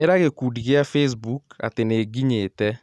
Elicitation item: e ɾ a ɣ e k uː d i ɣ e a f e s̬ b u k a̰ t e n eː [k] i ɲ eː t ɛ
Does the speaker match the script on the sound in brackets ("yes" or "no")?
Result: no